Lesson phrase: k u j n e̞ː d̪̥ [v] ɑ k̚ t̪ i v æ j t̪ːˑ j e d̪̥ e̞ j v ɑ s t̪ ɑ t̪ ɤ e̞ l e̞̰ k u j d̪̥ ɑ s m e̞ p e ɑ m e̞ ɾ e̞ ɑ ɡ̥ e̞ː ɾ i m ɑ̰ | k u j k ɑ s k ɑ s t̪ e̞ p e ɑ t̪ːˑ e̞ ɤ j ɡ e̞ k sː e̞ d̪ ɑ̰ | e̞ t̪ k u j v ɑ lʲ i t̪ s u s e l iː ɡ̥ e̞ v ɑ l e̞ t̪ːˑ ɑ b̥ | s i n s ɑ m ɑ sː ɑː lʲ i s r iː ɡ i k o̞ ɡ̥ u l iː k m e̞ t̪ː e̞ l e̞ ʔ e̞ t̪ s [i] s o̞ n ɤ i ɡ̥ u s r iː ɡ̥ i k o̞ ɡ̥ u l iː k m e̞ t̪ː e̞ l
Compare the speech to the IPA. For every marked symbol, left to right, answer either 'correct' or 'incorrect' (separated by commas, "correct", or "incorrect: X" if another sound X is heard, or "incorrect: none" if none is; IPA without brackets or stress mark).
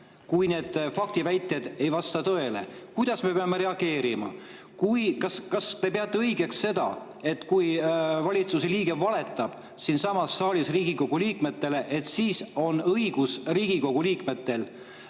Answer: incorrect: f, incorrect: iː